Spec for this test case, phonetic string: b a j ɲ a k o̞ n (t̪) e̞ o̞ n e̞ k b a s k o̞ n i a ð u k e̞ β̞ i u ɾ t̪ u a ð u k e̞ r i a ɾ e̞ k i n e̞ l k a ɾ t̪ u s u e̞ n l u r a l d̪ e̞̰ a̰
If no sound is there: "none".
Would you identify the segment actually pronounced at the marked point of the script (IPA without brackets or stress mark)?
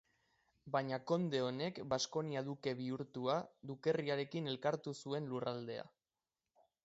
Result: d̪